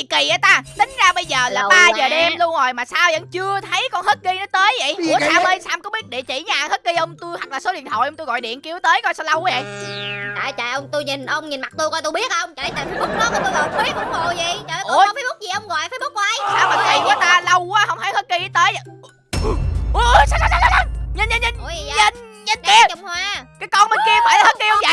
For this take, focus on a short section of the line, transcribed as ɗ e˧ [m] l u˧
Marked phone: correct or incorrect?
correct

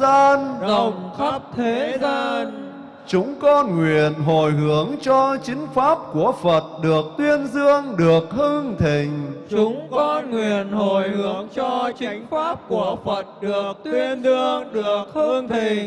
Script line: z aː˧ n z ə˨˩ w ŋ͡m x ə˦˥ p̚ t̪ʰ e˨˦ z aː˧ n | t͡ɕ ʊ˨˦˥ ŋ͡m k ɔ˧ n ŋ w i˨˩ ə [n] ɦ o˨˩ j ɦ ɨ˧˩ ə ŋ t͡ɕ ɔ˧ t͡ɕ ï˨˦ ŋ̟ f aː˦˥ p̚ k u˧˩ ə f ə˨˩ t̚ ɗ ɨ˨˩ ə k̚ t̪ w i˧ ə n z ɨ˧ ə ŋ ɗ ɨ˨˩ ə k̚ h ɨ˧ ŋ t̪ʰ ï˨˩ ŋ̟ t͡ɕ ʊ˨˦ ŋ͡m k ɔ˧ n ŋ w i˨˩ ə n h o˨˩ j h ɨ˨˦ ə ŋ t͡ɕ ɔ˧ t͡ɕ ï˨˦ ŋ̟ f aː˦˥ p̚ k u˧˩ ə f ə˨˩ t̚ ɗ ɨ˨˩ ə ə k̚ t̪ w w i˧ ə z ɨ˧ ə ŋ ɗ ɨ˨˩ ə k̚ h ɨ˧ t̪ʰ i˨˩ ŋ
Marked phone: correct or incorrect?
correct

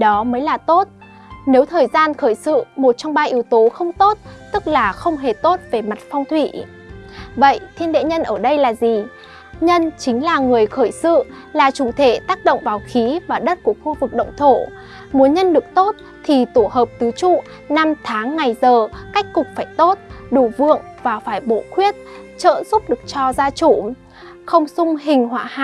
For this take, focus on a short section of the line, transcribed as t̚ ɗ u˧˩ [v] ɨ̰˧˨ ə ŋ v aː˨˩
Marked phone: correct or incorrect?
correct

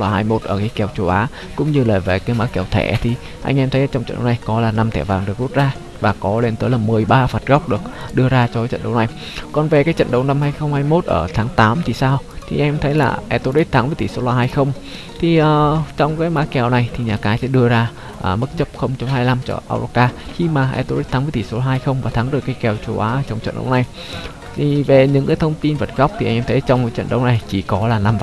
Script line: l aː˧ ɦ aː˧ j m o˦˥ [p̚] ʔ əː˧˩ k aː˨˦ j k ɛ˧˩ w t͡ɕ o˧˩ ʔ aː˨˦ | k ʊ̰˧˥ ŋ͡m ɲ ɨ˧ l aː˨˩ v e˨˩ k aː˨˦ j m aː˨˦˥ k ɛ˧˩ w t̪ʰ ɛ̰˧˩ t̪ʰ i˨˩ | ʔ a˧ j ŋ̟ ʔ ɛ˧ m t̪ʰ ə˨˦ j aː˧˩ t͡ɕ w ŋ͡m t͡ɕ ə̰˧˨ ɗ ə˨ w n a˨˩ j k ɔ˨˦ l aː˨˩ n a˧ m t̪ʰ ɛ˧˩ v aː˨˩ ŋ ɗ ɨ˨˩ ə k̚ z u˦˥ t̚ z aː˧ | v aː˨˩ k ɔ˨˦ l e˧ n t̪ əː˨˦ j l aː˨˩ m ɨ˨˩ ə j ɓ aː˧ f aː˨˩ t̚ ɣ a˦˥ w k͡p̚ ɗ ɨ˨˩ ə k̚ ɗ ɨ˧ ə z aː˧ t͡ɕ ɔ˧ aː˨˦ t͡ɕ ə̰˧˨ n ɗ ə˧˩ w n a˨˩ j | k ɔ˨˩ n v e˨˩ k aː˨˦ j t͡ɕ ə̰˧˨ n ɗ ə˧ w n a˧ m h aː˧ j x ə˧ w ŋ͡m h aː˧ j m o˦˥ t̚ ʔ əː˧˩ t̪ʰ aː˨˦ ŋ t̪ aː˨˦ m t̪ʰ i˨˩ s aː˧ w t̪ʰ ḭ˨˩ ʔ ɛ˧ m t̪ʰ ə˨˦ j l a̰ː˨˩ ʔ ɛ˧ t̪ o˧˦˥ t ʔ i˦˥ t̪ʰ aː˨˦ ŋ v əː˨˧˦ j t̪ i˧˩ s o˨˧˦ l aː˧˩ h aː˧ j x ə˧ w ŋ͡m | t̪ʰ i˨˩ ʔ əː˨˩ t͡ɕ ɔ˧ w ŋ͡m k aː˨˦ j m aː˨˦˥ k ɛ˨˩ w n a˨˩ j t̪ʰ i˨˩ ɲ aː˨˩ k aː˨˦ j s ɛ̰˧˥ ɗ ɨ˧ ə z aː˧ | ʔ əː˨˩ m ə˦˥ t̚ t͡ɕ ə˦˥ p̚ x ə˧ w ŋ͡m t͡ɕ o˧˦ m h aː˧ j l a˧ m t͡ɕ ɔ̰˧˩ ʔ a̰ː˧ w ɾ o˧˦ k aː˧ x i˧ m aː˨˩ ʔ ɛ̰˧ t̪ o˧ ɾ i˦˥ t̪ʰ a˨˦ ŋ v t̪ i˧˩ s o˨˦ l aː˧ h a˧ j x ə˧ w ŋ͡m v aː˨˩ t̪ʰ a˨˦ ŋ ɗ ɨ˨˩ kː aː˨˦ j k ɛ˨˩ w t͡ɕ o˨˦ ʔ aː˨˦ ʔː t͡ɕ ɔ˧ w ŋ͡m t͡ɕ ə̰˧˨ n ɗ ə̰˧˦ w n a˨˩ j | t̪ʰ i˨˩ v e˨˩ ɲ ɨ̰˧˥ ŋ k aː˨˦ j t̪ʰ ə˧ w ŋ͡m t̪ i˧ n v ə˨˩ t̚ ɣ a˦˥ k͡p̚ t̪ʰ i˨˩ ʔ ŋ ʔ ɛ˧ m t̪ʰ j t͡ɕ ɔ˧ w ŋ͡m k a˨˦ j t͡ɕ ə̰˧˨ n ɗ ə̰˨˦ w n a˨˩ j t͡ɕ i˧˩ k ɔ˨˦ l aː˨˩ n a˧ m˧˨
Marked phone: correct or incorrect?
incorrect: t̚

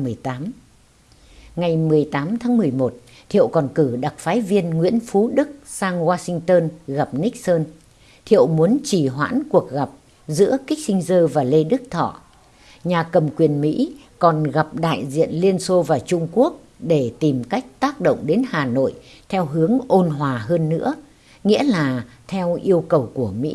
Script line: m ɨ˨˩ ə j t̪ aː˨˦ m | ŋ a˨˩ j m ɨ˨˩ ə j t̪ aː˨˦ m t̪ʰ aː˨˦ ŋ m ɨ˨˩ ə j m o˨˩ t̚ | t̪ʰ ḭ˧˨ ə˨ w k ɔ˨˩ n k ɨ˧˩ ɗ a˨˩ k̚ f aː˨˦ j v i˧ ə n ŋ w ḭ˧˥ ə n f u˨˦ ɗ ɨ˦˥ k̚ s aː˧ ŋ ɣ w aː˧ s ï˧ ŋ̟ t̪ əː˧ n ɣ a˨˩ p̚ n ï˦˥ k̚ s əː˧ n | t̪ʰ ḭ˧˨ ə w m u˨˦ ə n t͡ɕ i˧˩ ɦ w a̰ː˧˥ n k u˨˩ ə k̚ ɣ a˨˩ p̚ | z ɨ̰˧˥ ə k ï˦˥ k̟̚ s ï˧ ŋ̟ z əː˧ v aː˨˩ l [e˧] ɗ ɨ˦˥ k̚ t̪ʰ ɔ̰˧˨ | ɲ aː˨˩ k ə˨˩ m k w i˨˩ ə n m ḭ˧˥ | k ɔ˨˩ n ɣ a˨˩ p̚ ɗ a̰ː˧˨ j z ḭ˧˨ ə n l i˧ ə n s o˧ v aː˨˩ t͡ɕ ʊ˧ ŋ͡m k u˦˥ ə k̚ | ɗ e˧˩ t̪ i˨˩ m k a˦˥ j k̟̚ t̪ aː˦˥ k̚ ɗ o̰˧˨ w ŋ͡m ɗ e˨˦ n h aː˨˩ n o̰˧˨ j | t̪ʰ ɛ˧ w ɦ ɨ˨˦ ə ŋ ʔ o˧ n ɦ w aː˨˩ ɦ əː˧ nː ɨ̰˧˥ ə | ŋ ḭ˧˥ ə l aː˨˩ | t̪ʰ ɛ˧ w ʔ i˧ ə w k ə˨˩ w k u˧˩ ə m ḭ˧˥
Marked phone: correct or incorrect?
correct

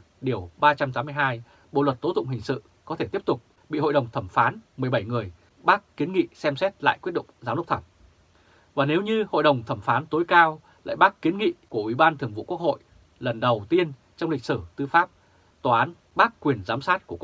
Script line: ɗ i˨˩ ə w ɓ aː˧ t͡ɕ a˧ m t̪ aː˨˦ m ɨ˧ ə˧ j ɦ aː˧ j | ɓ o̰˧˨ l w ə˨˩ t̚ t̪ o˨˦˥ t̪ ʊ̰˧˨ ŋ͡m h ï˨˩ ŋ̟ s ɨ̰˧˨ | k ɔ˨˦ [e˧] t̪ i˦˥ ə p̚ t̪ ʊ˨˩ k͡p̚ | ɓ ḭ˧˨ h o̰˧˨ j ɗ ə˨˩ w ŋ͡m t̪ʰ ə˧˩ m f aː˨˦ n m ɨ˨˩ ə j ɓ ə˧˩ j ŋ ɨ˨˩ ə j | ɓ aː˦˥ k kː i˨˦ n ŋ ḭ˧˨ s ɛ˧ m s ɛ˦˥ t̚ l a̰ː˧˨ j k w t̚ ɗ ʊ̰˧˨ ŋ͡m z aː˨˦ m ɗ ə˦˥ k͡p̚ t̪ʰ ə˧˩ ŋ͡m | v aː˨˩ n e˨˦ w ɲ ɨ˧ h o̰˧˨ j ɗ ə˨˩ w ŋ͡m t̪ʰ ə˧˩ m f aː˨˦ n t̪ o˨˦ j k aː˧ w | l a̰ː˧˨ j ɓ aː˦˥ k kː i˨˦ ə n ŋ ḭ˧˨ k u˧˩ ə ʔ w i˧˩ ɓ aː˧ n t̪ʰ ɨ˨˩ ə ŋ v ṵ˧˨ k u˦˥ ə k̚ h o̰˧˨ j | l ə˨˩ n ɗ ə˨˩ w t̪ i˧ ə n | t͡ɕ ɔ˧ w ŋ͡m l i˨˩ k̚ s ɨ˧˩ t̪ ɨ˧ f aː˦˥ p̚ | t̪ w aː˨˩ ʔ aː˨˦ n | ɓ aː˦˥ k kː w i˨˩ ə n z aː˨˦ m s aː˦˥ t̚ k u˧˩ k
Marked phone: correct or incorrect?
correct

